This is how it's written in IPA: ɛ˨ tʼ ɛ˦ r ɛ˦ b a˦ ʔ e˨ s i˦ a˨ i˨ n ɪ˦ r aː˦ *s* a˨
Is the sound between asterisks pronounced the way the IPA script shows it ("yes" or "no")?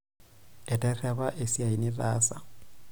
yes